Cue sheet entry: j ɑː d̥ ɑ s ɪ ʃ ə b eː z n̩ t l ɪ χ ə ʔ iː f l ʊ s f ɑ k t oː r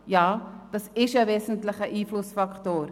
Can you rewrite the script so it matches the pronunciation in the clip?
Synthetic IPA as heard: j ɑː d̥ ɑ s ɪ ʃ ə v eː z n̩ t l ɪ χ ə ʔ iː f l ʊ s f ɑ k t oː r